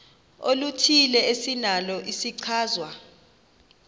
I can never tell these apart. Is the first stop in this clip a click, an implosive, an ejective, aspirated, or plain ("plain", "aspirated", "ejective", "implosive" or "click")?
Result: aspirated